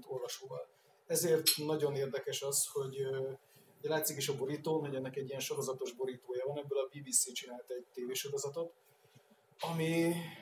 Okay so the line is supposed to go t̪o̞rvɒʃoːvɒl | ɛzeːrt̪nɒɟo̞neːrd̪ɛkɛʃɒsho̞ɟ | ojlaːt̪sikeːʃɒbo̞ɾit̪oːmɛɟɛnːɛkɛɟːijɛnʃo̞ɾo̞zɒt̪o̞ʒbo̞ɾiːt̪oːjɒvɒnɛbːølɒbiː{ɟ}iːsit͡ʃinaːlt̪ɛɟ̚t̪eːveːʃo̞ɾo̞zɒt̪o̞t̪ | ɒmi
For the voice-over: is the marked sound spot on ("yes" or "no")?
no